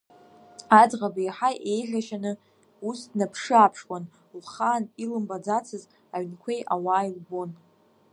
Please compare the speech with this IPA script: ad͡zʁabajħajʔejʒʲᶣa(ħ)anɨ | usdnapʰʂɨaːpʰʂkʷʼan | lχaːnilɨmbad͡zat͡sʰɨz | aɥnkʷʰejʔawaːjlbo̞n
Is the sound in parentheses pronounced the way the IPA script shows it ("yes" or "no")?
no